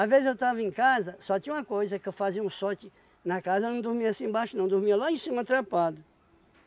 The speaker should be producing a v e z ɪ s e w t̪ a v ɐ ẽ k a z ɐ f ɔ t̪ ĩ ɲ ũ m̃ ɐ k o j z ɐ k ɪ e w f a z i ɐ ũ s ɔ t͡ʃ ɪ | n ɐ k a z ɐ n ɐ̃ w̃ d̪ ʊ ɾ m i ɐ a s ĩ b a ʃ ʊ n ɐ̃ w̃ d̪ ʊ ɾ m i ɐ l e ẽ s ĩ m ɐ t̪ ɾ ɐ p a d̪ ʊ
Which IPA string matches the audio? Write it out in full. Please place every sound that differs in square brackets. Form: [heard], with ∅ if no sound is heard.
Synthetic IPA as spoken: a v e z ɪ [z] e w t̪ a v ɐ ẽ k a z ɐ [s] ɔ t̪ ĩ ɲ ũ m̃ ɐ k o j z ɐ k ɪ e w f a z i ɐ ũ s ɔ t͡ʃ ɪ | n ɐ k a z ɐ n ɐ̃ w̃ d̪ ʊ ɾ m i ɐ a s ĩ b a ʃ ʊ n ɐ̃ w̃ d̪ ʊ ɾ m i ɐ l [a] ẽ s ĩ m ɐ t̪ ɾ [a] p a d̪ ʊ